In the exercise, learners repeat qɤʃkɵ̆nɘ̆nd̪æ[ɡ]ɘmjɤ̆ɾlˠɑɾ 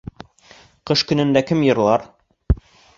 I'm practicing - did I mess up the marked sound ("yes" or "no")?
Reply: yes